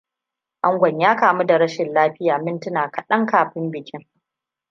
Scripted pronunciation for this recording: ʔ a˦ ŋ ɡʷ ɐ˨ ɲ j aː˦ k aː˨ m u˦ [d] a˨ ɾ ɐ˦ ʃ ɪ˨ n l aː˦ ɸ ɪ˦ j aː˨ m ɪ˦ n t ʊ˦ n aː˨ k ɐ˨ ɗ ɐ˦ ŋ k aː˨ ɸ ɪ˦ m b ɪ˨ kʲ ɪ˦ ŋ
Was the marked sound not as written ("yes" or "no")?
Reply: no